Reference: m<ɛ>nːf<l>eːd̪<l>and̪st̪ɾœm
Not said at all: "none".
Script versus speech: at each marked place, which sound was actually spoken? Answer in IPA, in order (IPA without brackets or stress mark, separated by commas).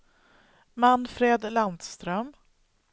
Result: a, ɾ, l